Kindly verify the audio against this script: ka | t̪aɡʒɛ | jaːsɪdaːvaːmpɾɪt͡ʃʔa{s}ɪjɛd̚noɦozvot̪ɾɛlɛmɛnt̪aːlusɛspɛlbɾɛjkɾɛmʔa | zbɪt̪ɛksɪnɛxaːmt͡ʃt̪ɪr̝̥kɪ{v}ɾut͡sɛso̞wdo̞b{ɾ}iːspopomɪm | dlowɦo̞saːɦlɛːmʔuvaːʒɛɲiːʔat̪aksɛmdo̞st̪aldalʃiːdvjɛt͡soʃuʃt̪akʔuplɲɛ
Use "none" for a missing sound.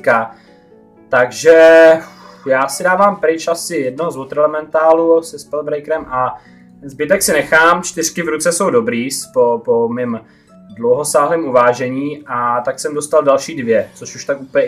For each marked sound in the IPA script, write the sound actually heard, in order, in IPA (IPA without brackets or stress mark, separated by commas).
s, v, ɾ